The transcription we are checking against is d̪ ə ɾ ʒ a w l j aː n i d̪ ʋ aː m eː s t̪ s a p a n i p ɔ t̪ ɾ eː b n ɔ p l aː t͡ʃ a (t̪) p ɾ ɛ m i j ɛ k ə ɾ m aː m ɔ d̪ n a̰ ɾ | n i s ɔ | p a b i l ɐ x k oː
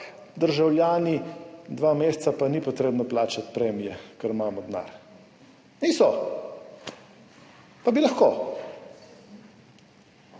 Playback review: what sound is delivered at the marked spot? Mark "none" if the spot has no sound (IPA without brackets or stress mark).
t̪